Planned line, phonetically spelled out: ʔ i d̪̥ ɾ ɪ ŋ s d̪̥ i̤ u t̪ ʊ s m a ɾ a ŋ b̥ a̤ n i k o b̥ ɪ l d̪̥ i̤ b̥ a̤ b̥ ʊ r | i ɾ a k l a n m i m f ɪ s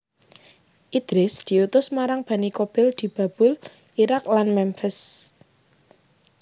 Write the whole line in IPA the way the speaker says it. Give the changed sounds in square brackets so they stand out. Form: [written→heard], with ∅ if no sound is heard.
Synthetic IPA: ʔ i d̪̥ ɾ ɪ [ŋ→∅] s d̪̥ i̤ u t̪ ʊ s m a ɾ a ŋ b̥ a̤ n i k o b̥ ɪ l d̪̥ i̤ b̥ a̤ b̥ ʊ [r→l] | i ɾ a k l a n m [i→ɛ] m f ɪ s